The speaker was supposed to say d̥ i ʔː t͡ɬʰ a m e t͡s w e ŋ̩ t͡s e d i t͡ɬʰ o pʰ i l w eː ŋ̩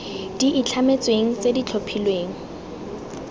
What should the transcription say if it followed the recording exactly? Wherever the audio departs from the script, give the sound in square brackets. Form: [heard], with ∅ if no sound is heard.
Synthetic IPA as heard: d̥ i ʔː t͡ɬʰ a m e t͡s w e ŋ̩ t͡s e d i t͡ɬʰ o pʰ i l w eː ŋ̩